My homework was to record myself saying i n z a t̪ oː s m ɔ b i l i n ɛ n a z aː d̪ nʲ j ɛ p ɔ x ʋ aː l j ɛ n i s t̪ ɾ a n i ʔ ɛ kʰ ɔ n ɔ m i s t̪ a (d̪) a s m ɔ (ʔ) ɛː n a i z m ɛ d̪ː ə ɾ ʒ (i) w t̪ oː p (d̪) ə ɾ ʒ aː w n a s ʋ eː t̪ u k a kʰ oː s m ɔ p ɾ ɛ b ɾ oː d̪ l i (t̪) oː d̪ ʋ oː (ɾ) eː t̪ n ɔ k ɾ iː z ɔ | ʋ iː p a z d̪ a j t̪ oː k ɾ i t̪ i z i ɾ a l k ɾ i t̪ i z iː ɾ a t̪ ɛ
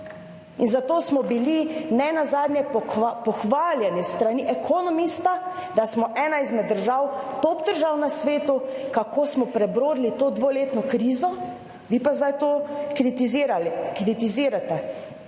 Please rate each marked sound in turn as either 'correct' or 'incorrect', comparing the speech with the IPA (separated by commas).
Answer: correct, correct, incorrect, correct, correct, incorrect